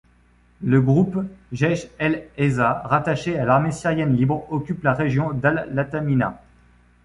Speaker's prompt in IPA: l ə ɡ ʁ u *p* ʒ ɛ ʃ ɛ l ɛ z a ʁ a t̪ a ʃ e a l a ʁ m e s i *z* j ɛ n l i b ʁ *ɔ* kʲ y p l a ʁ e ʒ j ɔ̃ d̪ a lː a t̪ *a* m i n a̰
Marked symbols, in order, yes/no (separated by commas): yes, no, yes, yes